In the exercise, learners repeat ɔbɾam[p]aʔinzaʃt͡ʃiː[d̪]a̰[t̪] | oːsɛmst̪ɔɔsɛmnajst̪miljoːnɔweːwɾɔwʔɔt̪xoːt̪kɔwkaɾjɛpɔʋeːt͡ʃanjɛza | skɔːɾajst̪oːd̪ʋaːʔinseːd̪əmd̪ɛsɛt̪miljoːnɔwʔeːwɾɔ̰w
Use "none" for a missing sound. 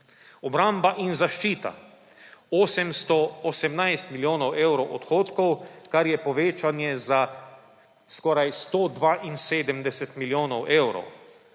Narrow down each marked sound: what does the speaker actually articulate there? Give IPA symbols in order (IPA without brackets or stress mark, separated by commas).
b, t̪, none